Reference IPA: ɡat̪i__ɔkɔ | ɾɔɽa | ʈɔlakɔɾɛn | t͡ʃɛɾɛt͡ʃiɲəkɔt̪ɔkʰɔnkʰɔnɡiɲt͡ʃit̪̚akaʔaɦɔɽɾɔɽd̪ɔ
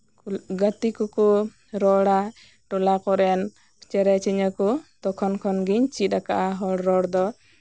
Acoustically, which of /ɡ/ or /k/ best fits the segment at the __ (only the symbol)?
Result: k